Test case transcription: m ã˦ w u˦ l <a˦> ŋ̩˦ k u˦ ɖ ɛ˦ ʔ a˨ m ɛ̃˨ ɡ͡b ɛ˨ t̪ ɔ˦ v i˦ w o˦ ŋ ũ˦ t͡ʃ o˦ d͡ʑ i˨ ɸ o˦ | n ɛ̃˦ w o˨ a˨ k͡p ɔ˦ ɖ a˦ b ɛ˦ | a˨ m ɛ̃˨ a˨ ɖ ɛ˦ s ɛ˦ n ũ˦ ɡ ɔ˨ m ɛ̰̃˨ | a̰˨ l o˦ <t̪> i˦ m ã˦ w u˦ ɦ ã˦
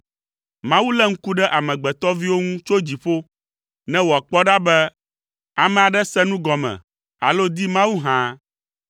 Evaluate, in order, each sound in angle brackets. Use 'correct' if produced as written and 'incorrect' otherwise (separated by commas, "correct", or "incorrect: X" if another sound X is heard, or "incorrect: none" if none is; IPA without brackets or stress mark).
incorrect: ɛ˦, incorrect: d̪